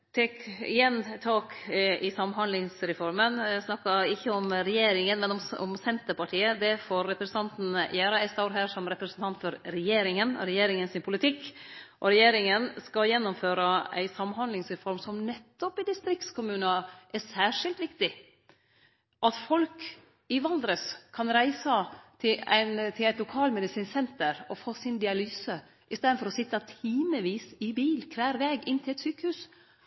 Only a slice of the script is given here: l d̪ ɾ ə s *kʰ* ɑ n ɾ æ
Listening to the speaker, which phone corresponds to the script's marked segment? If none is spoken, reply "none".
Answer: kʰ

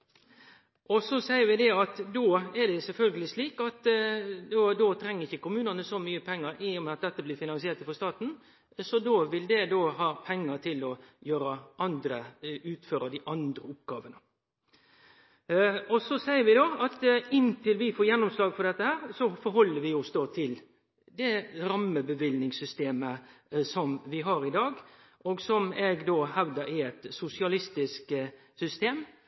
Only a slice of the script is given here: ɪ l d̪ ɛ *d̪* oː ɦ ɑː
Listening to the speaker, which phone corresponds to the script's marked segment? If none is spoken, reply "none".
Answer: d̪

